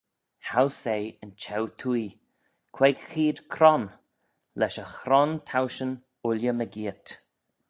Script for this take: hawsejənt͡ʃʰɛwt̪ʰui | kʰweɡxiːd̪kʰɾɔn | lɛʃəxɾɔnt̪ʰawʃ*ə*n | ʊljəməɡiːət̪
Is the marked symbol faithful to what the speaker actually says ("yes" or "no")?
yes